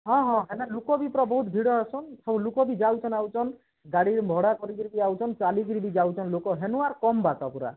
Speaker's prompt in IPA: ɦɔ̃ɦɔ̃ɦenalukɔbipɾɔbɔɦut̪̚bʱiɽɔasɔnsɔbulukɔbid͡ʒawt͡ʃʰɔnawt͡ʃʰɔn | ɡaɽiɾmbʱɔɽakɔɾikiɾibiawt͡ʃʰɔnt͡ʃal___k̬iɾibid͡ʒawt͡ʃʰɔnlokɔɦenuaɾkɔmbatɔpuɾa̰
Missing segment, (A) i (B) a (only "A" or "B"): A